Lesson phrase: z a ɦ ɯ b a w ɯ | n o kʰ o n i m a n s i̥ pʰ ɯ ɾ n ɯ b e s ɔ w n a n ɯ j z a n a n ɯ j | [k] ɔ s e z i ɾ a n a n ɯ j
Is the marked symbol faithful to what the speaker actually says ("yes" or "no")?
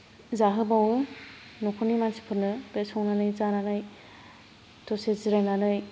no